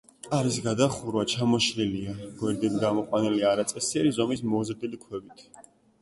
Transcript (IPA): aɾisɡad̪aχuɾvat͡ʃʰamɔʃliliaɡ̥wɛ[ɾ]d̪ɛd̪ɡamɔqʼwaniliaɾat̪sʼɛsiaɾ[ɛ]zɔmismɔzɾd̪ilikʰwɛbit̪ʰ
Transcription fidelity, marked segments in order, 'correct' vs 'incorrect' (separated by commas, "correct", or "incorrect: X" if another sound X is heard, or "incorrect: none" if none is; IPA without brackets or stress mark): correct, incorrect: i